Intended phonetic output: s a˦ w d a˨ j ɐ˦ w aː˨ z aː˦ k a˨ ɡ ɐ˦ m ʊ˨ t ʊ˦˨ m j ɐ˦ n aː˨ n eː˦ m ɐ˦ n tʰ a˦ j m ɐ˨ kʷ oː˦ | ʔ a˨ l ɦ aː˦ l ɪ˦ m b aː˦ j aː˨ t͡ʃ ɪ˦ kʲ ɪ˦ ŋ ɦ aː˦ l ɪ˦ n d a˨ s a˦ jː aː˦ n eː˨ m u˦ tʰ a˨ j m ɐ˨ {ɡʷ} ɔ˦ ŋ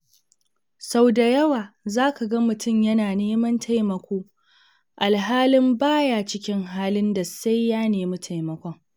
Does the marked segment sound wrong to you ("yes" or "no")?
yes